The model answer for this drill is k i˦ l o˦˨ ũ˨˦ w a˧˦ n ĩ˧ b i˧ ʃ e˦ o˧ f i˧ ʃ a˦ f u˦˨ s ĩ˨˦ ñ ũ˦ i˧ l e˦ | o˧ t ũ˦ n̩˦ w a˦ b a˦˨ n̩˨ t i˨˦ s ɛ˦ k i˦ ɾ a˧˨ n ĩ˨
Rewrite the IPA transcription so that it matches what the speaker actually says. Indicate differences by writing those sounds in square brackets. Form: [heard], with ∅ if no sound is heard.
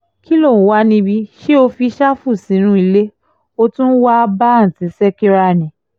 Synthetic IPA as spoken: k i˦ l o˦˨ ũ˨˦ w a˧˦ n ĩ˧ b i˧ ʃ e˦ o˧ f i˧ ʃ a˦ f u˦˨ s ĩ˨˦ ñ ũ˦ i˧ l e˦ | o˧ t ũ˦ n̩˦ w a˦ b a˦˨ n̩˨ t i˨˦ s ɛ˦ k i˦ ɾ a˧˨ n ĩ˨